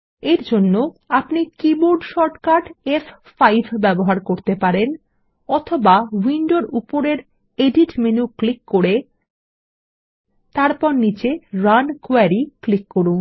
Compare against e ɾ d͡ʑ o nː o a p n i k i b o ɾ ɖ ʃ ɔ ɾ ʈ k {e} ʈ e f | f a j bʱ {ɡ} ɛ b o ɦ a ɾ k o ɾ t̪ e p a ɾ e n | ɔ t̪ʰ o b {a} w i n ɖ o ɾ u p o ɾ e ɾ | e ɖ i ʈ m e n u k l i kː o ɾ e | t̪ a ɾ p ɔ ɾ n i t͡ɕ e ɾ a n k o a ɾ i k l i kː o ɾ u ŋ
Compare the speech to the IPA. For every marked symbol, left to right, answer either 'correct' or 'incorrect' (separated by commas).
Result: incorrect, incorrect, correct